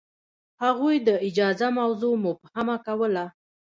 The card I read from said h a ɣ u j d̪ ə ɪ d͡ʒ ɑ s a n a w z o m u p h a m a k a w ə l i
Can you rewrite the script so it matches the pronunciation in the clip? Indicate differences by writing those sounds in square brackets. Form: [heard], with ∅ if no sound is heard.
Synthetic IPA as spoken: h a ɣ u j d̪ ə ɪ d͡ʒ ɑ [z] a [m] a w z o m [ʊ] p h a m a k a w ə l [a]